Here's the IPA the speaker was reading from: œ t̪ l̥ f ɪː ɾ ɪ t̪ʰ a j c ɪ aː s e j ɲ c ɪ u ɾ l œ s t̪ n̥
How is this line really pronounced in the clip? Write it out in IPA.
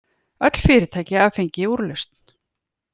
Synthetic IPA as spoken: œ t̪ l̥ f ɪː ɾ ɪ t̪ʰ a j c ɪ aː f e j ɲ c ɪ u ɾ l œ s t̪ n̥